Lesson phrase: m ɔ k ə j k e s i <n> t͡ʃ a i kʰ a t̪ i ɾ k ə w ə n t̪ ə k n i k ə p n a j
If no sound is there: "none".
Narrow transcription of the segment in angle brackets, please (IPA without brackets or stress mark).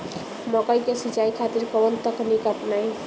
none